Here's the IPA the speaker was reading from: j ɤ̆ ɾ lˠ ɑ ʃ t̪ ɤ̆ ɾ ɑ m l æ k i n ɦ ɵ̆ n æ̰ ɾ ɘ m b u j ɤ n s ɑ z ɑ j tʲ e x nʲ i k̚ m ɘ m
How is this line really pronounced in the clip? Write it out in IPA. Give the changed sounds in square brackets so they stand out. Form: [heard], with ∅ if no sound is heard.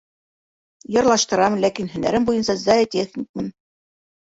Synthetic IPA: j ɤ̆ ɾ lˠ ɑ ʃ t̪ ɤ̆ ɾ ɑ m l æ k i n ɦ ɵ̆ n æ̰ ɾ ɘ m b u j ɤ n s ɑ z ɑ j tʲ e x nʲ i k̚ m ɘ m